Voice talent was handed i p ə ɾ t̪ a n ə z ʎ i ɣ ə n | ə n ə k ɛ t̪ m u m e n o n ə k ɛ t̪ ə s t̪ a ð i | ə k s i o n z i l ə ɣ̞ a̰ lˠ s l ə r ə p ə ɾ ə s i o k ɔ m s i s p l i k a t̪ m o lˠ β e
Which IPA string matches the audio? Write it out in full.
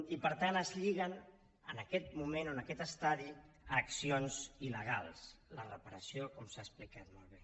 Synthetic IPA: i p ə ɾ t̪ a n ə z ʎ i ɣ ə n | ə n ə k ɛ t̪ m u m e n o n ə k ɛ t̪ ə s t̪ a ð i | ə k s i o n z i l ə ɣ̞ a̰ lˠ s l ə r ə p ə ɾ ə s i o k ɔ m s a s p l i k a t̪ m o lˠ β e